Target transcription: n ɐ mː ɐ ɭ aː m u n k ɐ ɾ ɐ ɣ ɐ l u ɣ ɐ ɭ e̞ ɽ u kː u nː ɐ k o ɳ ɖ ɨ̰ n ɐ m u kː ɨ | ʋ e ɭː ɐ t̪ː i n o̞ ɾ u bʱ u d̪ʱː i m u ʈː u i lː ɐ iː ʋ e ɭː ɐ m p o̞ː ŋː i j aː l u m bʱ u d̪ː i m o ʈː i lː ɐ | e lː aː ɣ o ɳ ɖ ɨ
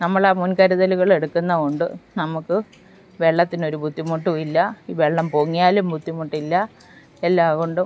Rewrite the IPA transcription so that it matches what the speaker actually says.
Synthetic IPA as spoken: n ɐ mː ɐ ɭ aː m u n k ɐ ɾ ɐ ð ɐ l u ɣ ɐ ɭ e̞ ɽ u kː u nː ɐ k o ɳ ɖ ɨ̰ n ɐ m u kː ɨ | ʋ e ɭː ɐ t̪ː i n o̞ ɾ u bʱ u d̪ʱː i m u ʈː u i lː ɐ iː ʋ e ɭː ɐ m p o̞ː ŋː i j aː l u m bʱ u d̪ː i m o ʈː i lː ɐ | e lː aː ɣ o ɳ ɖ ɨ